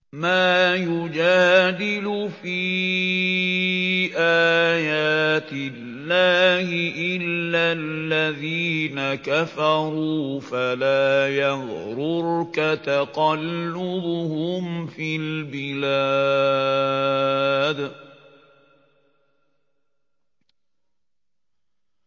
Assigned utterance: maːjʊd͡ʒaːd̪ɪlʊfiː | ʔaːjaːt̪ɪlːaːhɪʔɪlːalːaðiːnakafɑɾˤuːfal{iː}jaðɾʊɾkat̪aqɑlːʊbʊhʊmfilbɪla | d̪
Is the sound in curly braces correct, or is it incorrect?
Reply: incorrect: aː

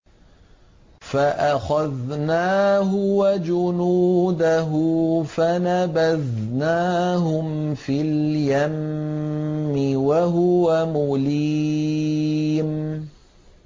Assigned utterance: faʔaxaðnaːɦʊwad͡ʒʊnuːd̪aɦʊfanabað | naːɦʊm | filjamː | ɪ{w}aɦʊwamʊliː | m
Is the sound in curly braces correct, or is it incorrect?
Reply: correct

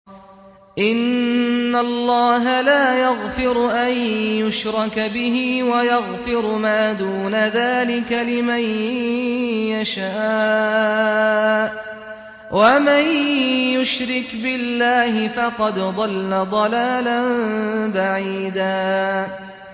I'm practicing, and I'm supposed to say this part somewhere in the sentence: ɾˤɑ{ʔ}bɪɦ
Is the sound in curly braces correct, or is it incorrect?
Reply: incorrect: k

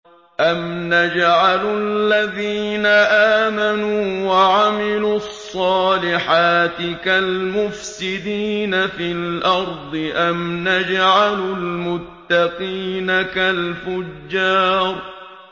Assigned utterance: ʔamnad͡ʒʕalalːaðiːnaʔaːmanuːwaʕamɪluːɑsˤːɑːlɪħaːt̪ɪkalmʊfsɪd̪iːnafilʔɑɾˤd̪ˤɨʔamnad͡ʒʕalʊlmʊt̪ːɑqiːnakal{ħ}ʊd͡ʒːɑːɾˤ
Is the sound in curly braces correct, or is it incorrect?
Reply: incorrect: f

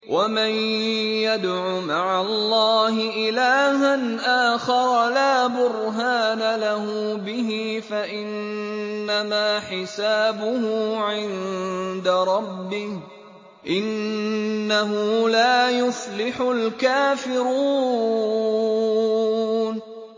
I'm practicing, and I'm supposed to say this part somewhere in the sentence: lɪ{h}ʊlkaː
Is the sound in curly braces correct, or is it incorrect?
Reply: incorrect: ħ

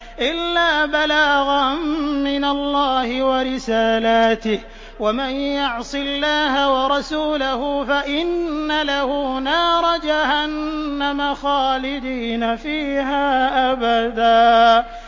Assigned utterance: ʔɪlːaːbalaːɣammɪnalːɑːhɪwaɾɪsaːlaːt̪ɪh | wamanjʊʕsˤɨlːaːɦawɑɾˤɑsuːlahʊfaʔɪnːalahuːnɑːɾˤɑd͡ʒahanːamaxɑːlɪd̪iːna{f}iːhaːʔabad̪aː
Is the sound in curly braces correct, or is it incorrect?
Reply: correct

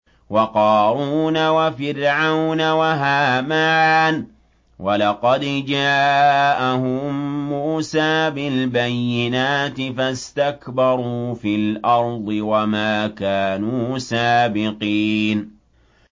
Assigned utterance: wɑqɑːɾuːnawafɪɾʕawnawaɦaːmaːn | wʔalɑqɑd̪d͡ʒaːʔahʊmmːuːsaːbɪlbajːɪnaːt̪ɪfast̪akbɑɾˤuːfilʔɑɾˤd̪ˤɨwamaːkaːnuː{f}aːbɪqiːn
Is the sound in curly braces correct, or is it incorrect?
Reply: incorrect: s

